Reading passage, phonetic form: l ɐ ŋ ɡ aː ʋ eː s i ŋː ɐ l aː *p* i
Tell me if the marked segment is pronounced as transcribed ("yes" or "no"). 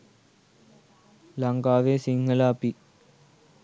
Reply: yes